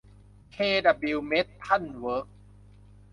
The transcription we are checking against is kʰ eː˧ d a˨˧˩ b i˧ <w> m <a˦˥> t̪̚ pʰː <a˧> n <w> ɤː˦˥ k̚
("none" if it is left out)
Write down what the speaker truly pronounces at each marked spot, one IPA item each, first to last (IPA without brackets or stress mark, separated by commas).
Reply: w, e˦˥, a˥˩˨, w